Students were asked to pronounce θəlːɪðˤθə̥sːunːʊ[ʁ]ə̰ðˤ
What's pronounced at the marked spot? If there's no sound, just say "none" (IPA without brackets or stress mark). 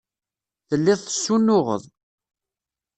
ʁ